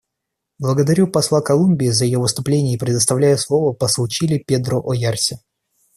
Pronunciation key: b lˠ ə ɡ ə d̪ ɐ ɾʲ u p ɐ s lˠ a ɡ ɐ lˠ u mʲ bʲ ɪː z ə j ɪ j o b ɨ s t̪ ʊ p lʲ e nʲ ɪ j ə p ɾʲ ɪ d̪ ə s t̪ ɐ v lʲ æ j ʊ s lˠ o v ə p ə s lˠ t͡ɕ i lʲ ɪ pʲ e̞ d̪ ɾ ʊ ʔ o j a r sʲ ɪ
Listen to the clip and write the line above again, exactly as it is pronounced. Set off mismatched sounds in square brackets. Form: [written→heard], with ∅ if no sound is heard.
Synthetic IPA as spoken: b lˠ ə ɡ ə d̪ ɐ ɾʲ u p ɐ s lˠ a [ɡ→k] ɐ lˠ u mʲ bʲ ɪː z ə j ɪ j o [b→v] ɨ s t̪ ʊ p lʲ e nʲ ɪ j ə p ɾʲ ɪ d̪ ə s t̪ ɐ v lʲ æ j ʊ s lˠ o v ə p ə s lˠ t͡ɕ i lʲ ɪ pʲ e̞ d̪ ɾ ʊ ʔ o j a r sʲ ɪ